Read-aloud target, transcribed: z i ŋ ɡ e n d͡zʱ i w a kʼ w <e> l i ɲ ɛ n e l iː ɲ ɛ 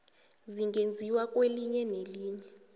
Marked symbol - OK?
yes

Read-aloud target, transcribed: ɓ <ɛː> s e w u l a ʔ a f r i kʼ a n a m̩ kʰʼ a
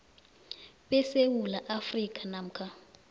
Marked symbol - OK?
no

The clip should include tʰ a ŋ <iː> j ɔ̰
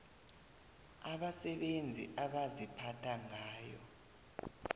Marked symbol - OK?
no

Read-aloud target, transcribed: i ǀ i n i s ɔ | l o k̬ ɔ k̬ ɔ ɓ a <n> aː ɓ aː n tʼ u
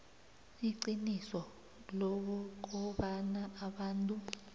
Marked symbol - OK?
yes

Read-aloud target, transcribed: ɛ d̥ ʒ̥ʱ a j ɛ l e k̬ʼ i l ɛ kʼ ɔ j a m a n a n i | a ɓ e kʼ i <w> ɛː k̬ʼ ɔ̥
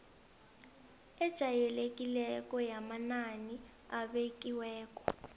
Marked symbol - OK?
yes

